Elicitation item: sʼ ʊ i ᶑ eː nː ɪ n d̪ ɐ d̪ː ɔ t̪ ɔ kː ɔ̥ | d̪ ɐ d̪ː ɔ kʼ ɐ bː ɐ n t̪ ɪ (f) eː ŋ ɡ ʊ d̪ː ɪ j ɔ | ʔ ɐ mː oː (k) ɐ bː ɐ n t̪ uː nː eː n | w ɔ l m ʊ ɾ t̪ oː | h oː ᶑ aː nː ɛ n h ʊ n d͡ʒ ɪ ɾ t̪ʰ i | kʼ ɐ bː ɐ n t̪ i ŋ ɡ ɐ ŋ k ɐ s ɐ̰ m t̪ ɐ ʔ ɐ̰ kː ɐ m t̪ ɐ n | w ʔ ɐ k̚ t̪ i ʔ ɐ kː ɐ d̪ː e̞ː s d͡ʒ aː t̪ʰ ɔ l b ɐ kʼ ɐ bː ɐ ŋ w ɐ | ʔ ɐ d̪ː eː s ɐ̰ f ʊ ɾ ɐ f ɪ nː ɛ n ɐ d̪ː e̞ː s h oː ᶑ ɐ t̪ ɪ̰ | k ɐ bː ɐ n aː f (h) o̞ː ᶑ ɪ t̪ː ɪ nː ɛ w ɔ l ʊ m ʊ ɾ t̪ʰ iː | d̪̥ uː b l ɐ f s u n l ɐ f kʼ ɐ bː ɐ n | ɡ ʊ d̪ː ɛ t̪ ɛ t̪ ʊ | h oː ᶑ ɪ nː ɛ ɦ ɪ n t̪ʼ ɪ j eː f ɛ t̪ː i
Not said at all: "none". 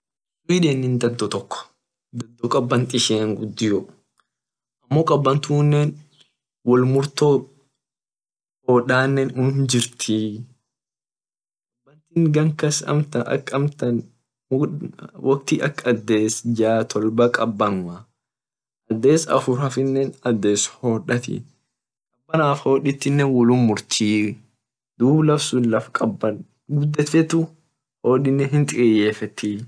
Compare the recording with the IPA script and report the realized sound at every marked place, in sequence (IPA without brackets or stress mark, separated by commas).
ʃ, kʼ, h